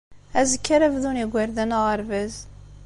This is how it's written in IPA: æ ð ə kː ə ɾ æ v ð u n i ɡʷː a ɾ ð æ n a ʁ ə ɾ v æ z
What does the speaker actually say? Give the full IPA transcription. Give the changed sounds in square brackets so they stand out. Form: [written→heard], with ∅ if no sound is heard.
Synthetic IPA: æ [ð→z] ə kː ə ɾ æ v ð u n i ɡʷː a ɾ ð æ n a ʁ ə ɾ v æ z